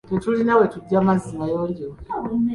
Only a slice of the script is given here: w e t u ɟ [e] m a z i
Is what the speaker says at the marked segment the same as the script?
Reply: no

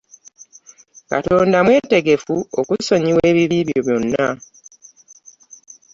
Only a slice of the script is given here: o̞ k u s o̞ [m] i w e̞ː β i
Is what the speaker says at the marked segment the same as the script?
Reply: no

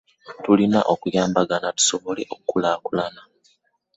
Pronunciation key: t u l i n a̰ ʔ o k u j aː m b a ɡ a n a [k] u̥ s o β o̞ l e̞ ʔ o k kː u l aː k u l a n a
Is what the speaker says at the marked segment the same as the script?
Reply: no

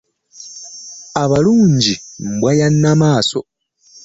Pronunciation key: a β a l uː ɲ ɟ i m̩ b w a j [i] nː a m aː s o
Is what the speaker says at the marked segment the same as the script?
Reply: no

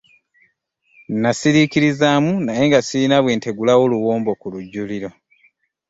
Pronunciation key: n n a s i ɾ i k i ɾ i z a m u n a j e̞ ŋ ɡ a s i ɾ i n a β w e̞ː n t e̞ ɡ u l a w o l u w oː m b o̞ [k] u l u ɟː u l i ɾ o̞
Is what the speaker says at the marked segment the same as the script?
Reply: yes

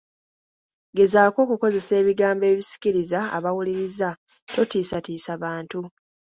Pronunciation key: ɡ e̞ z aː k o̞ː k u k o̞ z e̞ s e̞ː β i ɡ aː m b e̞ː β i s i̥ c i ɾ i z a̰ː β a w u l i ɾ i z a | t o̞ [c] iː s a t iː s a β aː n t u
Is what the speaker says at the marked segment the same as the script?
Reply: no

